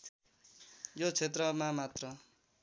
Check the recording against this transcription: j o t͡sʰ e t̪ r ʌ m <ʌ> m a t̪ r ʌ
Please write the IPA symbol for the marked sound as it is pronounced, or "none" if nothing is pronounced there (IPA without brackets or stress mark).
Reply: a